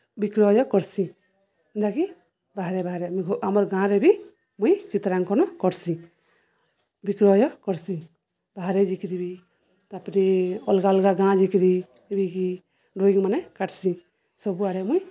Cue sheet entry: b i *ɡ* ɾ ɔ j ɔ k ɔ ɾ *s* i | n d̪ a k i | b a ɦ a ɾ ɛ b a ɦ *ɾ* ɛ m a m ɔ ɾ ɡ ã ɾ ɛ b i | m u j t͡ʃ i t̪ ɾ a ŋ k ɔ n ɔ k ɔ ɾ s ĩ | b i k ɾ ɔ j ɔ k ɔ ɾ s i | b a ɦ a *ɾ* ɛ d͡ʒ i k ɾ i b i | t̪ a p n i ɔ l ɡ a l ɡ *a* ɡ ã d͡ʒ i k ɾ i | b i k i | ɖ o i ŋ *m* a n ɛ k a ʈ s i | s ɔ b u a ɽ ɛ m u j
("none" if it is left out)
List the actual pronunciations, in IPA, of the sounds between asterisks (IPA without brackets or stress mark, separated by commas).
k, s, ɾ, ɾ, a, m